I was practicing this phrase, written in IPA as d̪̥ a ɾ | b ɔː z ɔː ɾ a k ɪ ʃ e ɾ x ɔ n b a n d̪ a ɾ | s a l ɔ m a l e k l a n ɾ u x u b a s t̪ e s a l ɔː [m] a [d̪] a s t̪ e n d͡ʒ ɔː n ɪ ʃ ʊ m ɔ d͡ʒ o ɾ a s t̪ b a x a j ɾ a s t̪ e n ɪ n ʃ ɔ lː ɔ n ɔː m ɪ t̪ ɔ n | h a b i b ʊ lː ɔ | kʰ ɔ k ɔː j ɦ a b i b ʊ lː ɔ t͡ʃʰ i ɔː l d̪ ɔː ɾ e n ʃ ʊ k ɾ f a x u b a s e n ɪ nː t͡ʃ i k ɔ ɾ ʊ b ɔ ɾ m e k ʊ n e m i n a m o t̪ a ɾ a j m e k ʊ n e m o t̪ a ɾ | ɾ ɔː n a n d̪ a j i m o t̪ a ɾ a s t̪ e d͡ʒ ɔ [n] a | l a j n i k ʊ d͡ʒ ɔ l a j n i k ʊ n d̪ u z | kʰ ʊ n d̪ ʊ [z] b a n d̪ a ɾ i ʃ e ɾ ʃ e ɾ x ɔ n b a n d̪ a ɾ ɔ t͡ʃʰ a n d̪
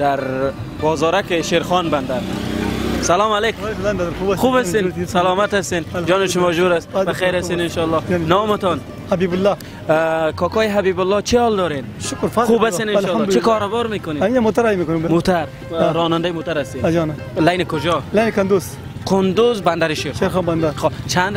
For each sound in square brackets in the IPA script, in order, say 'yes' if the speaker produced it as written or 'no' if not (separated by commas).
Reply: yes, no, yes, yes